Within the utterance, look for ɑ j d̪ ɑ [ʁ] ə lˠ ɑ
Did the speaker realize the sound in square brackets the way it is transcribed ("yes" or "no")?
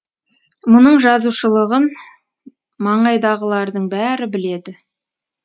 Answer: yes